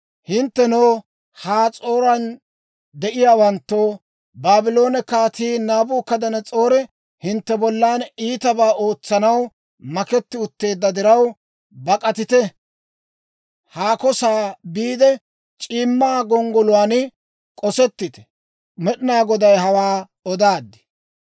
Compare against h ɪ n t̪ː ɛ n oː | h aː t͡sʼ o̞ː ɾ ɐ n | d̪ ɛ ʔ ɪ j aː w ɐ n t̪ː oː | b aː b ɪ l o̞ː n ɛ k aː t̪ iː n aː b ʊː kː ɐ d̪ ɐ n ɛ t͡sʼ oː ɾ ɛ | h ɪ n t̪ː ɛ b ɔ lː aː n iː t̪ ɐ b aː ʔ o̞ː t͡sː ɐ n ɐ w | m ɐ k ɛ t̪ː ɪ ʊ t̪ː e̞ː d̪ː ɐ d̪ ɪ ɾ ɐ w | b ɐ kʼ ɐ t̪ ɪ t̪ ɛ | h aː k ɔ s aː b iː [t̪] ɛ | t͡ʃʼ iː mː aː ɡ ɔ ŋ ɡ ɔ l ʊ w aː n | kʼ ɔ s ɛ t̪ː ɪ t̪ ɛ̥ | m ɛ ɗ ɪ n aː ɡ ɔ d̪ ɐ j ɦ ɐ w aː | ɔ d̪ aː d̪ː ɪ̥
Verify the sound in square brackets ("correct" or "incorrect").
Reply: incorrect